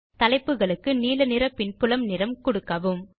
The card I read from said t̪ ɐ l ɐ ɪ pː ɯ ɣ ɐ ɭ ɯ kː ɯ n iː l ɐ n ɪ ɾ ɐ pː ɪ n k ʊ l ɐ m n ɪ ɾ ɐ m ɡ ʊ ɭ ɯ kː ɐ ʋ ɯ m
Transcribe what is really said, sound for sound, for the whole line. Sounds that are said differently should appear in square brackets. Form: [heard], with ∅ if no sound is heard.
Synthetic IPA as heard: t̪ ɐ l ɐ ɪ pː ɯ ɣ ɐ ɭ ɯ kː ɯ n iː l ɐ n ɪ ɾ ɐ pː ɪ n [p] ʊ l ɐ m n ɪ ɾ ɐ m [k] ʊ [ɽ] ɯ kː ɐ ʋ ɯ m